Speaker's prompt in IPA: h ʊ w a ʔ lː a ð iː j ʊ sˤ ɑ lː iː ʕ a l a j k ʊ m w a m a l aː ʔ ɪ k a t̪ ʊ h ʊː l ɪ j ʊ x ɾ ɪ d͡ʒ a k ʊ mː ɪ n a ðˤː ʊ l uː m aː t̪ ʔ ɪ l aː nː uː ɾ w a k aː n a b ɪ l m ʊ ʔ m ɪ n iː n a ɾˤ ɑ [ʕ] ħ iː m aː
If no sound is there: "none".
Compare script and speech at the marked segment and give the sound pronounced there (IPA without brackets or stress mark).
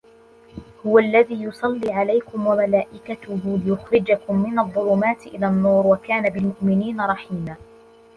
none